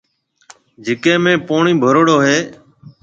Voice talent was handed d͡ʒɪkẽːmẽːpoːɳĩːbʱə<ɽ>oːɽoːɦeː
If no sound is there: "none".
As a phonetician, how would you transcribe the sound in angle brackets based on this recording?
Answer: ɾ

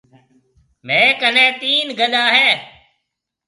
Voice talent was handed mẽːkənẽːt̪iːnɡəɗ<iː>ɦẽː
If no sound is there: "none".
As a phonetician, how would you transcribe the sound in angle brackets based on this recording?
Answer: aː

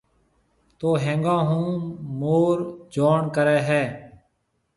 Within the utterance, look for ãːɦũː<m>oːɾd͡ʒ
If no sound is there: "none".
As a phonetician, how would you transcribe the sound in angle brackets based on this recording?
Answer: m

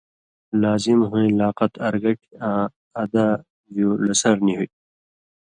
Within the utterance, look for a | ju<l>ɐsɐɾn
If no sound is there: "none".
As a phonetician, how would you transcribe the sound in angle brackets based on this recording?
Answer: l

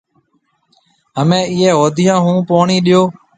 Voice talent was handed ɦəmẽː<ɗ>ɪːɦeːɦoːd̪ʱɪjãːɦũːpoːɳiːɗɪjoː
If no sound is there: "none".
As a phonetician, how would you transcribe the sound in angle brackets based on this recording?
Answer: none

